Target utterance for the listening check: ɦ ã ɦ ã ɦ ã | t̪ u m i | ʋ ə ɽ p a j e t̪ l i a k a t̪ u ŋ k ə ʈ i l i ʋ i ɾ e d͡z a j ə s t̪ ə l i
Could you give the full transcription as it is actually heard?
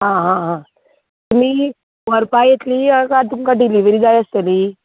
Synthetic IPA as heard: ɦ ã ɦ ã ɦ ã | t̪ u m i | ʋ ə ɾ p a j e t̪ l i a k a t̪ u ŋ k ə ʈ i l i ʋ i ɾ i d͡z a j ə s t̪ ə l i